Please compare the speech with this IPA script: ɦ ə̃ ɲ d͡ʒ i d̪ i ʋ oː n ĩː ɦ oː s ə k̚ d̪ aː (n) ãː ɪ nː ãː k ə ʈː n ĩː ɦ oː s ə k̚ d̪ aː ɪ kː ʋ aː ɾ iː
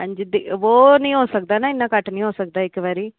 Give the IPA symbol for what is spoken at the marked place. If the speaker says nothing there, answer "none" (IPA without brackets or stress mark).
n